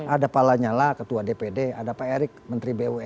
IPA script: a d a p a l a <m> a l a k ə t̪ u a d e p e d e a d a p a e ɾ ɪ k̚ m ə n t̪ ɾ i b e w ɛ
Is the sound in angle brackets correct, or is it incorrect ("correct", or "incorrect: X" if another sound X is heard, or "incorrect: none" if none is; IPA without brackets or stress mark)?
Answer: incorrect: ɲ